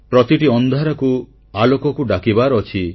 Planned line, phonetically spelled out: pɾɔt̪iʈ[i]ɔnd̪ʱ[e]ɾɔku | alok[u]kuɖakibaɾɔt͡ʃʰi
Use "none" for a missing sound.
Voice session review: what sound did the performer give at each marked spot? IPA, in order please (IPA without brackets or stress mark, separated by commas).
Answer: i, a, ɔ